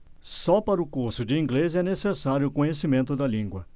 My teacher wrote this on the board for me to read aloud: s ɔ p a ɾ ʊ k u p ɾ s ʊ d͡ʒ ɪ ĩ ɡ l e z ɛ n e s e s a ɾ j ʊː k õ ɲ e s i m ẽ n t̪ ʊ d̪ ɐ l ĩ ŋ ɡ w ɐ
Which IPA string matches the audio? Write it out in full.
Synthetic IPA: s ɔ p a ɾ ʊ k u ɾ s ʊ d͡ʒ ɪ ĩ ɡ l e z ɛ n e s e s a ɾ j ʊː k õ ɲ e s i m ẽ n t̪ ʊ d̪ ɐ l ĩ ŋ ɡ w ɐ